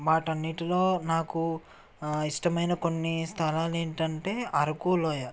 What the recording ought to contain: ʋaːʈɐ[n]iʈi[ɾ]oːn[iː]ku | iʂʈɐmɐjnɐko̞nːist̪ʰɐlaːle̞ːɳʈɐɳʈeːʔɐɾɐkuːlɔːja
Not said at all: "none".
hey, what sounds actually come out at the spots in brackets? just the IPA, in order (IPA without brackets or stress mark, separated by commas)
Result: nː, l, aː